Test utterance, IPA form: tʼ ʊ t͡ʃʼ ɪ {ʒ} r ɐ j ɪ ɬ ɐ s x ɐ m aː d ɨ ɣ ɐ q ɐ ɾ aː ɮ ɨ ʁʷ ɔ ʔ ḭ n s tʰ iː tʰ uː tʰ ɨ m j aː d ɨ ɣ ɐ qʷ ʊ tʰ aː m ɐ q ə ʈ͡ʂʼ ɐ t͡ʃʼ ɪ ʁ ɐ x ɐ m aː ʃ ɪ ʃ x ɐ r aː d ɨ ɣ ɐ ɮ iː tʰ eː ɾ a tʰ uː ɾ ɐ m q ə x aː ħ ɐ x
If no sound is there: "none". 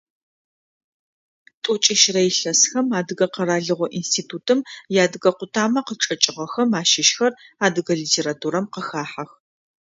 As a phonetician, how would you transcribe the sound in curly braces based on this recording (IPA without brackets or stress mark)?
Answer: ʃ